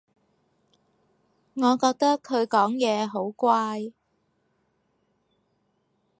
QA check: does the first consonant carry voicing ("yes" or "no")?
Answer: yes